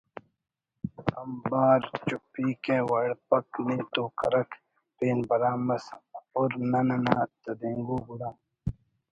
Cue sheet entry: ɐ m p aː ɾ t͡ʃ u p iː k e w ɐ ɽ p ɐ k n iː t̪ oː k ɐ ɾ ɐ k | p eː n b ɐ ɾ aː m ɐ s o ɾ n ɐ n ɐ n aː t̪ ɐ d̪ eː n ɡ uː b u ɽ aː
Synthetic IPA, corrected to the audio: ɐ m b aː ɾ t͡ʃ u p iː k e w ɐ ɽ p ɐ k n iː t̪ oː k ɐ ɾ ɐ k | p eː n b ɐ ɾ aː m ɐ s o ɾ n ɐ n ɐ n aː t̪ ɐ d̪ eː ŋ ɡ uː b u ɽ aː